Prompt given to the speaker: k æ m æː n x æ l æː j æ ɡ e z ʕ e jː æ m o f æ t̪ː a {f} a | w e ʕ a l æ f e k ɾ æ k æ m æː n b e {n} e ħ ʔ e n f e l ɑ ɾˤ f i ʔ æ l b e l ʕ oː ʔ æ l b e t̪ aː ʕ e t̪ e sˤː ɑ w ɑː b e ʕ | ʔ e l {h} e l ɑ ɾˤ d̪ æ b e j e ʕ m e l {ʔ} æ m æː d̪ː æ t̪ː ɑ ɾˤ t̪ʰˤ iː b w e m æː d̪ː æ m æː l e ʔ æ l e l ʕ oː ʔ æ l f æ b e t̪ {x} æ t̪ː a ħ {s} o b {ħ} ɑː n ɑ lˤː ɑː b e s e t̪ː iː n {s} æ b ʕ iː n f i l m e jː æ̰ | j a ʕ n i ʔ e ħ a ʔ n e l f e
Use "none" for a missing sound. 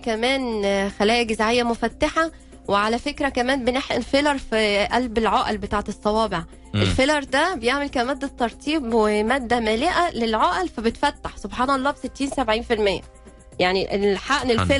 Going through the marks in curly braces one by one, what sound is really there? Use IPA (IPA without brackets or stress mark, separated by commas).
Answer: ħ, n, f, k, f, s, ħ, s